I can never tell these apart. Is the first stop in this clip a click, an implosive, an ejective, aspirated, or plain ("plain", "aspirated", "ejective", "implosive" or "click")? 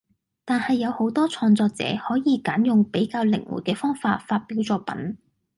plain